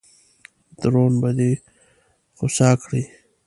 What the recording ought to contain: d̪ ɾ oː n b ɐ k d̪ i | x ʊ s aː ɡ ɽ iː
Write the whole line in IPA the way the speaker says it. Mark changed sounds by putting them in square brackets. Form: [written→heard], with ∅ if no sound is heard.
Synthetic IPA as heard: d̪ ɾ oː n b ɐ [k→∅] d̪ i | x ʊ s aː [ɡ→k] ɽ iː